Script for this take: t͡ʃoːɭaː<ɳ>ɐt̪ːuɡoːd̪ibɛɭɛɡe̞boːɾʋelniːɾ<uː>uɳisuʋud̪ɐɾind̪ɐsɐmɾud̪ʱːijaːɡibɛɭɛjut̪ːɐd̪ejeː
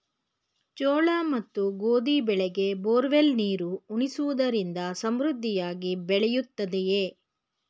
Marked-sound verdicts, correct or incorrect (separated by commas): incorrect, incorrect